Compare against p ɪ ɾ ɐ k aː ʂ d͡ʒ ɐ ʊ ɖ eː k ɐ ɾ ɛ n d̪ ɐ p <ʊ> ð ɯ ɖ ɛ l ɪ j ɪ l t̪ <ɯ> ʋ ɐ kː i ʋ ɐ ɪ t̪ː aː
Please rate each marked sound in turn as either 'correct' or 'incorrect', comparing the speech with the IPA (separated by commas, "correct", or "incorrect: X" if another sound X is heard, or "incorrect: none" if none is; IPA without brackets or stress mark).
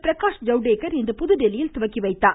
correct, incorrect: ʊ